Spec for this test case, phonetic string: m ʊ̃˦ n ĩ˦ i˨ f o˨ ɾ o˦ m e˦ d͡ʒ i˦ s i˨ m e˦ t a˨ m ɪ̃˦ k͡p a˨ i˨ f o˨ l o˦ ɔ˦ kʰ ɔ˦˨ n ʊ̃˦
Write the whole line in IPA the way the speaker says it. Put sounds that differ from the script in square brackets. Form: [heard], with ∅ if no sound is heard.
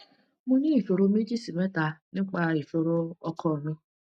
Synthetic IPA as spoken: m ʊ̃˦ n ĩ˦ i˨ f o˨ ɾ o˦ m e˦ d͡ʒ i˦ s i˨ m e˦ t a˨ [n] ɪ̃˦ k͡p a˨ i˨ f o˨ [ɾ] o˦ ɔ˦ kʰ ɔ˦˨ n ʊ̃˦